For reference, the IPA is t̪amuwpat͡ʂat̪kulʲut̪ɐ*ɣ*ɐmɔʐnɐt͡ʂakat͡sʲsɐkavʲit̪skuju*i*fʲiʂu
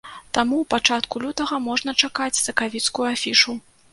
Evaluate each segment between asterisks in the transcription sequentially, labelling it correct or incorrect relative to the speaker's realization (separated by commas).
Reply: correct, incorrect